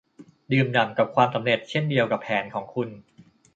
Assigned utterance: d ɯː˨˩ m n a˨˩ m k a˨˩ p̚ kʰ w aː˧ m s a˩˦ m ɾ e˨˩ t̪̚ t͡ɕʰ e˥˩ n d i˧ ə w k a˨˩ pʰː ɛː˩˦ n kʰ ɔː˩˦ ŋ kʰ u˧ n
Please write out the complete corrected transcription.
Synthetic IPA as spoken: d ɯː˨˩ m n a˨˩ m k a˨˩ p̚ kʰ w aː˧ m s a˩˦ m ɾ e˨˩ t̪̚ t͡ɕʰ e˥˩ n d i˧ ə w k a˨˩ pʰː ɛː˩˦ n kʰ ɔː˩˦ ŋ kʰ u˧ n